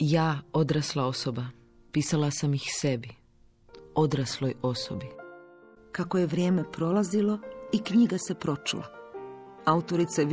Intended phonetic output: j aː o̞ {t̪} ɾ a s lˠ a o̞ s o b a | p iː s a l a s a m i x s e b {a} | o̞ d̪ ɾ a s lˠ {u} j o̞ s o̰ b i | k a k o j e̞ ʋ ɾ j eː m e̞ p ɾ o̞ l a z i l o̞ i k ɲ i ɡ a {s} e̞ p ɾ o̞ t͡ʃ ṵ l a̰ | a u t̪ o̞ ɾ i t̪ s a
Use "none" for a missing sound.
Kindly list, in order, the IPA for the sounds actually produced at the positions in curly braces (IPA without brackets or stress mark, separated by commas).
d̪, i, o, s